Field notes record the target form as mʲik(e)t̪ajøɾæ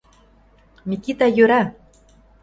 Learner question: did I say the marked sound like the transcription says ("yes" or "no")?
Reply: no